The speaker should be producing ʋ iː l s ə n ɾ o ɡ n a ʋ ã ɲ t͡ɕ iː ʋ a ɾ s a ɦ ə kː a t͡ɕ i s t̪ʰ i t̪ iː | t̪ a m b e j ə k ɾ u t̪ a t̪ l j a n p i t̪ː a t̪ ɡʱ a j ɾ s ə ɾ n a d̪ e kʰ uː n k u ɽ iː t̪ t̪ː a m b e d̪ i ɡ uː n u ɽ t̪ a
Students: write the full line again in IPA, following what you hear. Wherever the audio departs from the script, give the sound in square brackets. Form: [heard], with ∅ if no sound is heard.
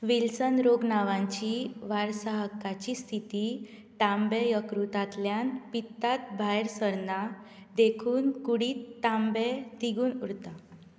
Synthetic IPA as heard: ʋ [i] l s ə n ɾ o ɡ n a ʋ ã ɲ t͡ɕ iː ʋ a ɾ s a ɦ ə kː a t͡ɕ i s t̪ʰ i t̪ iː | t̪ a m b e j ə k ɾ u t̪ a t̪ l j a n p i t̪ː a t̪ [bʱ] a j ɾ s ə ɾ n a d̪ e kʰ uː n k u ɽ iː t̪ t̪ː a m b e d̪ i ɡ uː n u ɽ t̪ a